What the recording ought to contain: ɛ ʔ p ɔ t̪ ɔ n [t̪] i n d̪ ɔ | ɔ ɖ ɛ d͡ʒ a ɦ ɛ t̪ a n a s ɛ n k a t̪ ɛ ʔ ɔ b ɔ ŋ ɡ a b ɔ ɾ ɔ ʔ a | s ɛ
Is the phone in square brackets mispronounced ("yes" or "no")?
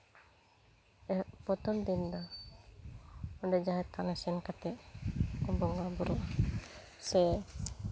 yes